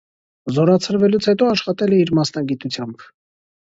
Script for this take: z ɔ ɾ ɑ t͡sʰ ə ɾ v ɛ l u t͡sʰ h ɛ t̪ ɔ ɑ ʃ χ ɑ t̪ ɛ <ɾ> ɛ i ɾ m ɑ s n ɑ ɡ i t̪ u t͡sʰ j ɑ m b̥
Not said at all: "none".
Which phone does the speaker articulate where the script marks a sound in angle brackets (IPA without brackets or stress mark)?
l